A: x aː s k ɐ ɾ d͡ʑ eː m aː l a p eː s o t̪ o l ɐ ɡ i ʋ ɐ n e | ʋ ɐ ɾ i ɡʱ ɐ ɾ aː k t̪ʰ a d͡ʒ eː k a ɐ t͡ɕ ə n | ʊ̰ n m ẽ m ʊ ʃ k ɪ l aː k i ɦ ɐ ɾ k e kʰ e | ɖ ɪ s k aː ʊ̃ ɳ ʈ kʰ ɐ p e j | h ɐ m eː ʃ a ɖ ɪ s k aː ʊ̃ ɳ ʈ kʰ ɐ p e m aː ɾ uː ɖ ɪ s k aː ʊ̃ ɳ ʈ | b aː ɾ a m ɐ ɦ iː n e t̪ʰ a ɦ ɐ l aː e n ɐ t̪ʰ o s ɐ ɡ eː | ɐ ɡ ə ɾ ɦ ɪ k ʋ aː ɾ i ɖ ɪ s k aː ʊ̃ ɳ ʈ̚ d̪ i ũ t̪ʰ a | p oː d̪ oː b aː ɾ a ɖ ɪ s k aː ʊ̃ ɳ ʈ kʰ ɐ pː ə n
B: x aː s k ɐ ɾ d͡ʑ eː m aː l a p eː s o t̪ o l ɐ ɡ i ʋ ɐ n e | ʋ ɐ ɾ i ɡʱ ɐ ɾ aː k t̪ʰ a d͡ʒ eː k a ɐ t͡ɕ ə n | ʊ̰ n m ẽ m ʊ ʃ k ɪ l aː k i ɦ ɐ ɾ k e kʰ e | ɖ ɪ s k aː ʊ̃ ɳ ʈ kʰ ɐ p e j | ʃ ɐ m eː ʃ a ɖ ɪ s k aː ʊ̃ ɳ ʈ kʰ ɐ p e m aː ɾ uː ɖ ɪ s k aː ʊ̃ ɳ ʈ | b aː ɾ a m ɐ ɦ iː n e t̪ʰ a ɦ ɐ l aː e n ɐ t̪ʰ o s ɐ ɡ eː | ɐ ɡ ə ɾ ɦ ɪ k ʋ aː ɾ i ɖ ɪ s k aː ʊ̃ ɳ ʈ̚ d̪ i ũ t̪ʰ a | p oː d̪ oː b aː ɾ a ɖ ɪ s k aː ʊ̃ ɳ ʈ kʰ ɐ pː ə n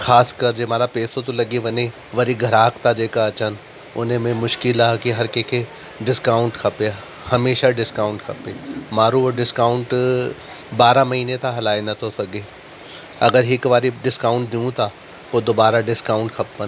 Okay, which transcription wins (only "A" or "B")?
A